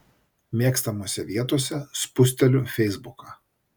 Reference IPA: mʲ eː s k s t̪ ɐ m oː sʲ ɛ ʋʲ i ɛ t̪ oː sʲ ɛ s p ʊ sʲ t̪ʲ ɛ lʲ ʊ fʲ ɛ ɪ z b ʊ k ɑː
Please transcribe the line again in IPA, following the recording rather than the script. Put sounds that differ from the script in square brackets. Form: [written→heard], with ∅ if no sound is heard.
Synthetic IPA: mʲ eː [s→∅] k s t̪ ɐ m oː sʲ ɛ ʋʲ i ɛ t̪ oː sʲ ɛ s p ʊ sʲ t̪ʲ ɛ lʲ ʊ fʲ ɛ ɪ z b ʊ k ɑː